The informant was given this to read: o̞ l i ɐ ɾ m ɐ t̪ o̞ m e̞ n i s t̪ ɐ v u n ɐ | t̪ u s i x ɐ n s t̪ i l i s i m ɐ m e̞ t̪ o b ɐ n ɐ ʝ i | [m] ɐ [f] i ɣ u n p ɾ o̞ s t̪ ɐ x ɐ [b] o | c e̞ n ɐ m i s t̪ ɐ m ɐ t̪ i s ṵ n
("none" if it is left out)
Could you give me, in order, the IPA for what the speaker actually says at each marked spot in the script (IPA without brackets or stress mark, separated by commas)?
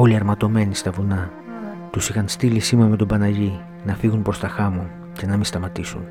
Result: n, f, m